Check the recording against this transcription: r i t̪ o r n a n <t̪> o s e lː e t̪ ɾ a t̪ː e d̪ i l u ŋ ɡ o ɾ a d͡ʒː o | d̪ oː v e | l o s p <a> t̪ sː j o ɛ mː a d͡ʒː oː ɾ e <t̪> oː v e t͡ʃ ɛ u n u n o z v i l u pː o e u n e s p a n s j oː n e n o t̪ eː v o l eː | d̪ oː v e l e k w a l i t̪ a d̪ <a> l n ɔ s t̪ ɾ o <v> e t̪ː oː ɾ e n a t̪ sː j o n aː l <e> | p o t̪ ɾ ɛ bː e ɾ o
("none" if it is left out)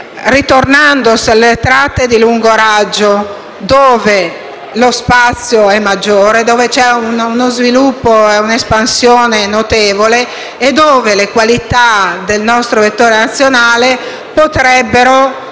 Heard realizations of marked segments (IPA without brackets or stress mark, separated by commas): d̪, a, d̪, e, v, e